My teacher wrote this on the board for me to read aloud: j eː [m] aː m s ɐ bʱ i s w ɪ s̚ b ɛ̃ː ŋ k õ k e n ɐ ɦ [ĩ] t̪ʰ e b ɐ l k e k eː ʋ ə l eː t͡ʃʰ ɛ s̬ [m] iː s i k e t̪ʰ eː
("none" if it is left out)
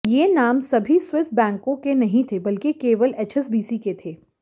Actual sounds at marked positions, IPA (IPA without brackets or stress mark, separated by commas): n, ĩ, b